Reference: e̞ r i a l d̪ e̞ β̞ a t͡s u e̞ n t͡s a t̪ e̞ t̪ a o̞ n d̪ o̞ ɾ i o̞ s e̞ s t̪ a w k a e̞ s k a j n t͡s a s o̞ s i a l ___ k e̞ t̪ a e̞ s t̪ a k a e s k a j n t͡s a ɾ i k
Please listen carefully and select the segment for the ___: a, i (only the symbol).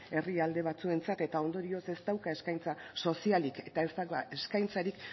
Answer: i